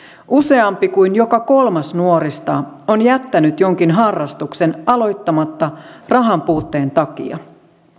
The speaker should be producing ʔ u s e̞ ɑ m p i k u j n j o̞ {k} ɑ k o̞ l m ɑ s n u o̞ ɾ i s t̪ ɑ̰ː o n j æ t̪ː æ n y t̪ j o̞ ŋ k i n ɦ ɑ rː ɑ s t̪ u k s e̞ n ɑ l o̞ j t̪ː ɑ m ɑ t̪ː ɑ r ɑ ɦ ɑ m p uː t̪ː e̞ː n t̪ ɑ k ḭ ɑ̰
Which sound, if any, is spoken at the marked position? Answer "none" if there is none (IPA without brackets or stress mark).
k